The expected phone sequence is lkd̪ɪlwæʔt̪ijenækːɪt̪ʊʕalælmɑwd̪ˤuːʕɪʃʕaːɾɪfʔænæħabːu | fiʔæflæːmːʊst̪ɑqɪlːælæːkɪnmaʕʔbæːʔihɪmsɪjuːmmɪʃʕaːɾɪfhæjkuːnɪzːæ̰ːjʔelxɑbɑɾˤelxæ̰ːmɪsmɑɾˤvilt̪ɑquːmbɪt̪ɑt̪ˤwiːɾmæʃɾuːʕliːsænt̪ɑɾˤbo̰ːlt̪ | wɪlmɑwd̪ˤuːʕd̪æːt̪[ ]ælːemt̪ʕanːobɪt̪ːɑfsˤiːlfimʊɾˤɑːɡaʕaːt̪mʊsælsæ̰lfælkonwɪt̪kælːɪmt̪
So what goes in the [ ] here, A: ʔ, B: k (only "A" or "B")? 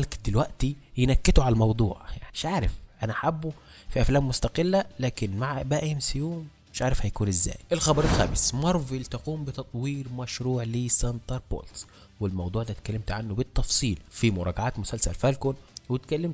B